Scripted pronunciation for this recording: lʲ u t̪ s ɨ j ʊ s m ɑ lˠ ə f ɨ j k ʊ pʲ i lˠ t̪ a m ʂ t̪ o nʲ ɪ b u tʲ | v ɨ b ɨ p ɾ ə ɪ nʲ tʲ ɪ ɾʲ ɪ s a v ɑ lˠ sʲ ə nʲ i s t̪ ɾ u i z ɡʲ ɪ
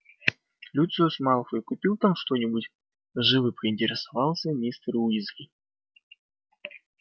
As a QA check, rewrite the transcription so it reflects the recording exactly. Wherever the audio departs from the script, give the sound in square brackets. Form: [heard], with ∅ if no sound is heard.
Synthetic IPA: lʲ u t̪ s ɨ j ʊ s m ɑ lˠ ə f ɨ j k ʊ pʲ i lˠ t̪ a m ʂ t̪ o nʲ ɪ b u tʲ | [ʐ] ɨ [v] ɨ p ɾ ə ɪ nʲ tʲ ɪ ɾʲ ɪ s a v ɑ lˠ sʲ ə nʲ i s t̪ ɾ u i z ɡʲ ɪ